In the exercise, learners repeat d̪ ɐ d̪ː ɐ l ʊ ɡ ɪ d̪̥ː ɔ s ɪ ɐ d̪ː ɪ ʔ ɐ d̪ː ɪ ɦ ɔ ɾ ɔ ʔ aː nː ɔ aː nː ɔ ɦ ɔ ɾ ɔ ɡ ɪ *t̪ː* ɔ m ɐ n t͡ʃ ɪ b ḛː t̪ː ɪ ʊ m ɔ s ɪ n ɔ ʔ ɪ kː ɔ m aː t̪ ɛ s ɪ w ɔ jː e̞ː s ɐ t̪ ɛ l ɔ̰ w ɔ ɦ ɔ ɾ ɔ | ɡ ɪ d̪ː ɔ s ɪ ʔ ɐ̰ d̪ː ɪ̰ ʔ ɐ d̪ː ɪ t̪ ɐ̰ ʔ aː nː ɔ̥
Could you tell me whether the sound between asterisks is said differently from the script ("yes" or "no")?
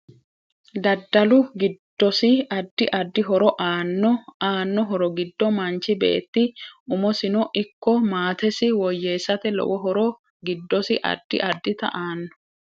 yes